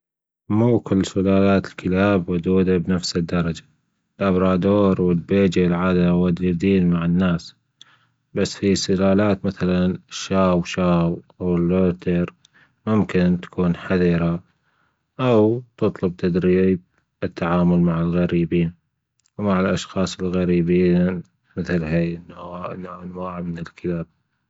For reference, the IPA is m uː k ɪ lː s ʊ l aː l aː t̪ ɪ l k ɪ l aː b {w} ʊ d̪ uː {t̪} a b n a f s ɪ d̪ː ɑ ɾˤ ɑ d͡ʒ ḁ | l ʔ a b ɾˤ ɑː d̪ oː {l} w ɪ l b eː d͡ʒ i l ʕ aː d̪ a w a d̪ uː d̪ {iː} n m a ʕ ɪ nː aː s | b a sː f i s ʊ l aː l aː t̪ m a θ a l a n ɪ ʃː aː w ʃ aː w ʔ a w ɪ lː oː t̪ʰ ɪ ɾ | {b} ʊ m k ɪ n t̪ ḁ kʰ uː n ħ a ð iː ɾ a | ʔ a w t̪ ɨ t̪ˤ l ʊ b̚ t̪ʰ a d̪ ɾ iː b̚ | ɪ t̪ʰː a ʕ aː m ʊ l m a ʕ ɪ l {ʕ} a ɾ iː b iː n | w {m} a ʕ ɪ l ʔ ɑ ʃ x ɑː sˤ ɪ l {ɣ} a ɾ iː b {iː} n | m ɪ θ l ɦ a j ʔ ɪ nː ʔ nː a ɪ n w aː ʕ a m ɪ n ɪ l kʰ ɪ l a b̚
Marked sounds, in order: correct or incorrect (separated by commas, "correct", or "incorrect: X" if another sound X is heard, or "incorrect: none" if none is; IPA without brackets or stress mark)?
correct, incorrect: d̪, incorrect: ɾ, correct, incorrect: m, incorrect: ɣ, correct, correct, correct